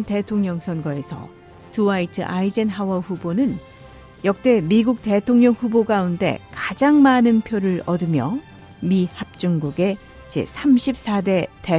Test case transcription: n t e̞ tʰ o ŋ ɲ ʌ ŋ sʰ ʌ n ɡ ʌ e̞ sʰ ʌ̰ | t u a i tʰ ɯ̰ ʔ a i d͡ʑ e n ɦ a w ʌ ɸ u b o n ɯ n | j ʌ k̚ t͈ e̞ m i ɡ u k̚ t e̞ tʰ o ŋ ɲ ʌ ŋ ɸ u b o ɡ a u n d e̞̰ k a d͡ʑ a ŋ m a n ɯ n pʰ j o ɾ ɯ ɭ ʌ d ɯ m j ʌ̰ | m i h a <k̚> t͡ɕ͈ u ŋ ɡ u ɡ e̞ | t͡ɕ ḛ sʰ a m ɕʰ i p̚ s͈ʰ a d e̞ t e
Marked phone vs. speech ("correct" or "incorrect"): incorrect